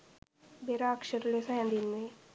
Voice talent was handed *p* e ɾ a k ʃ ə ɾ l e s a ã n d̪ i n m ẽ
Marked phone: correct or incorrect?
incorrect